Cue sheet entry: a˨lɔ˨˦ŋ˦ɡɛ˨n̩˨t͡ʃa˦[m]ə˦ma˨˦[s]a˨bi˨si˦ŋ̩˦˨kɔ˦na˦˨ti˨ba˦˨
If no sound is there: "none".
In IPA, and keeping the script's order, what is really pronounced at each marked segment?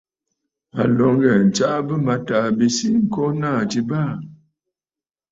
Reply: b, t

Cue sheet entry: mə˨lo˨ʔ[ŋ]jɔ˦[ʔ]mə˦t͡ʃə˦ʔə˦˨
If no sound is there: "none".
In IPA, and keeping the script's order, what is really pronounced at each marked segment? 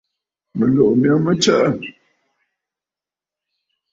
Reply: m, none

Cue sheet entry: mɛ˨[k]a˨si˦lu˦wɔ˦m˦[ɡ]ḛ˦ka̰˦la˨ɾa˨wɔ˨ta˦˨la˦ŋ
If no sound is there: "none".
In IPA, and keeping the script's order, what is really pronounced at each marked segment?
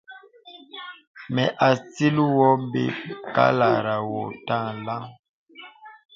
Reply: ʔ, b

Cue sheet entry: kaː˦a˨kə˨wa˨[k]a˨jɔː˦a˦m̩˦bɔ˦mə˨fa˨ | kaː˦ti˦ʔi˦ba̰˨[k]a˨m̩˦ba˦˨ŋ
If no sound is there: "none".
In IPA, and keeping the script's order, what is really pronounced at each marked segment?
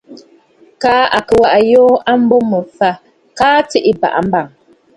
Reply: ʔ, ʔ

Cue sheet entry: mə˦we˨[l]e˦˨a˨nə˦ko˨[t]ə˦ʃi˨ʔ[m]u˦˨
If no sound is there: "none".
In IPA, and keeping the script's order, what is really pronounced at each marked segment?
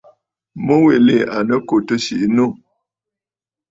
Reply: l, t, n

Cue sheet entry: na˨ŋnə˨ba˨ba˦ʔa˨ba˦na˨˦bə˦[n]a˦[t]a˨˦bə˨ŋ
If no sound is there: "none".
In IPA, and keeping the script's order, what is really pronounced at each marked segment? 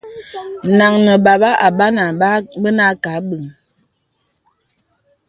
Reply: n, k

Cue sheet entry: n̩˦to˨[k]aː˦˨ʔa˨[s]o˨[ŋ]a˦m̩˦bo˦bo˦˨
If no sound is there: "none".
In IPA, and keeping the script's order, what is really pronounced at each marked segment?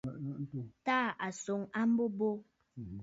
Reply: t, s, ŋ

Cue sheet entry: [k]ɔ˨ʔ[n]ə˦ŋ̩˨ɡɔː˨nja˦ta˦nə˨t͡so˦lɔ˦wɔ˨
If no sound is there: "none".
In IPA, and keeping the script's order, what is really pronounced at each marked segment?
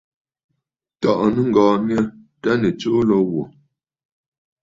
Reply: t, n

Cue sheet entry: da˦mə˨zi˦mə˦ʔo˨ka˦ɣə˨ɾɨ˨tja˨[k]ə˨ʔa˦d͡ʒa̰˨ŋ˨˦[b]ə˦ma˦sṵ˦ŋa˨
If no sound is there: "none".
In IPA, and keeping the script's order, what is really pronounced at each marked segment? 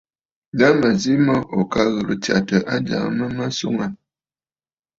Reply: t, m

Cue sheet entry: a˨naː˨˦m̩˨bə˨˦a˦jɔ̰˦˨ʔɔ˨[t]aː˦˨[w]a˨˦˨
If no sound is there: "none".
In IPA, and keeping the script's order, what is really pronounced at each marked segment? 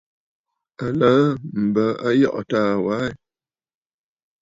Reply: t, w

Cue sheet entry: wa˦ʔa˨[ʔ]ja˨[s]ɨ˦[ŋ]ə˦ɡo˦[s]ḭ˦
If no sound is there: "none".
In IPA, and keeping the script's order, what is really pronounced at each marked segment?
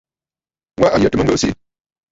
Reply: none, t, m, s

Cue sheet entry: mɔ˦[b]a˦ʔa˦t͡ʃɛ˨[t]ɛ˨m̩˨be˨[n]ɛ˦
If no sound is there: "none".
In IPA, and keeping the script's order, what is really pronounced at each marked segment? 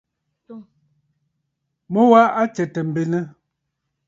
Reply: w, t, n

